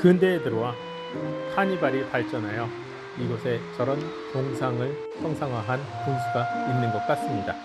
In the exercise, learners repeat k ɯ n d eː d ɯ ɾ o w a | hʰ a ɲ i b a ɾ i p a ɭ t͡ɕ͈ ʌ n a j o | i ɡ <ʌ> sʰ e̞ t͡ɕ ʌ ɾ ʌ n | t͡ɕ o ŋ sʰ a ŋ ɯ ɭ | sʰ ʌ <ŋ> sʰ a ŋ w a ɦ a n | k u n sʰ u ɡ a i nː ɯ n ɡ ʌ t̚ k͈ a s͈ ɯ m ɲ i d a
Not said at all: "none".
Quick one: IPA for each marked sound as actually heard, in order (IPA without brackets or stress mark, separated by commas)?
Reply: ʌ, ŋ